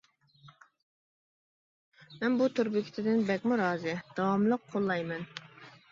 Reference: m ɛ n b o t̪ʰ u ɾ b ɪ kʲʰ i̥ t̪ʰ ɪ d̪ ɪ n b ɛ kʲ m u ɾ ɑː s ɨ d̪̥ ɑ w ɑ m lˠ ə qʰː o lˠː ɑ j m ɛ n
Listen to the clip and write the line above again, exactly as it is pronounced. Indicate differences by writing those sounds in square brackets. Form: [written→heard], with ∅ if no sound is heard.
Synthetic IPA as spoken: m ɛ n b [o→u] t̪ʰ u ɾ b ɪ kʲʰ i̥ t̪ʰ ɪ d̪ ɪ n b ɛ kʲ m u ɾ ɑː [s→z] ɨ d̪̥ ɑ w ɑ m lˠ ə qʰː o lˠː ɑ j m ɛ n